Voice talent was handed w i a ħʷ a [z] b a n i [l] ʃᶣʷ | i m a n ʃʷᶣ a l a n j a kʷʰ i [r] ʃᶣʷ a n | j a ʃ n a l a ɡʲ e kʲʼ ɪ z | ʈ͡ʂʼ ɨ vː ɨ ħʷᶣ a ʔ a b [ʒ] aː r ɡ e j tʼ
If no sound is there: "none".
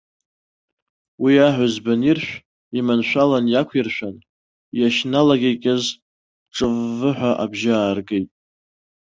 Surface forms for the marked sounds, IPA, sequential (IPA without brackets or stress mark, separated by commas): z, r, r, ʒ